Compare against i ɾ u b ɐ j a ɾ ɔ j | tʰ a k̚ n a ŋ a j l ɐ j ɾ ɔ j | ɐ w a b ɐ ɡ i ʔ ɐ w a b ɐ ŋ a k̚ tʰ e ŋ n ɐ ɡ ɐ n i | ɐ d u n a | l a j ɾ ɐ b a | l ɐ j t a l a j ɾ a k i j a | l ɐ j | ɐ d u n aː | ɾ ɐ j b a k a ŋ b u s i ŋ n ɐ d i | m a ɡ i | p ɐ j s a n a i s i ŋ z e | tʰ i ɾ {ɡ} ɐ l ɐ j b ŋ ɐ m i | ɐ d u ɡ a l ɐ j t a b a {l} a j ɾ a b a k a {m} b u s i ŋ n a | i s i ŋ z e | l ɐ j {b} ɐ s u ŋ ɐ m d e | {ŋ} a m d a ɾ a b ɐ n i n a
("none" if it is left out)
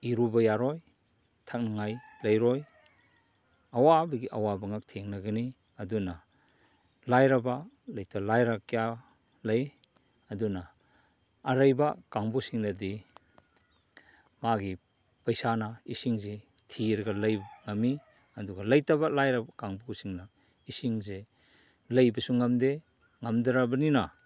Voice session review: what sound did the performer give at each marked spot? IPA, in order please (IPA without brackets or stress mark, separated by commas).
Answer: ɡ, l, ŋ, b, ŋ